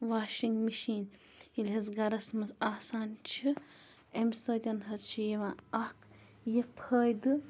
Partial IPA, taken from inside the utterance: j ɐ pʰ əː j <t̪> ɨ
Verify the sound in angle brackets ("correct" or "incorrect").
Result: incorrect